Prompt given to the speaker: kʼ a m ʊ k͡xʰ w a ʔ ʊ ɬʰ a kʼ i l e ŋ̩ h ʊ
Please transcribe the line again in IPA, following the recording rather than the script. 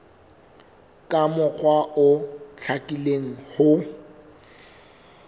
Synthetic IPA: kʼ a m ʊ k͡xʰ w a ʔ ʊ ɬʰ a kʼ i l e ŋ̩ h ʊ